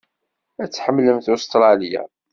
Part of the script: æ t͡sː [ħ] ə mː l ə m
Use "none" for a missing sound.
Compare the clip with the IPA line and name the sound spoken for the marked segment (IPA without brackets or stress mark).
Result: ħ